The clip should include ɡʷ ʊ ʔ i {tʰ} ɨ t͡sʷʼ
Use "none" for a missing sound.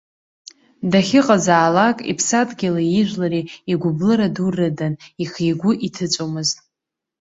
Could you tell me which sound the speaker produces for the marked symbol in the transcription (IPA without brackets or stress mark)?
tʰ